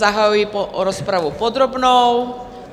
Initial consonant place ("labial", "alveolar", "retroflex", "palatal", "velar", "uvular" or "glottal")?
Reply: glottal